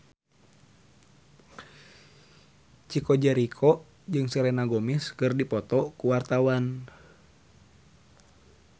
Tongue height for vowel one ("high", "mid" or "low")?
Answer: high